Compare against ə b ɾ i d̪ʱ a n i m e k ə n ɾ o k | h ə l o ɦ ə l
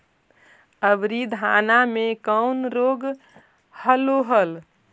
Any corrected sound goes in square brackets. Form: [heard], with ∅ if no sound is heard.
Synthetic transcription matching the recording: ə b ɾ i d̪ʱ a n [a] m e k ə n ɾ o [ɡ] | h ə l o ɦ ə l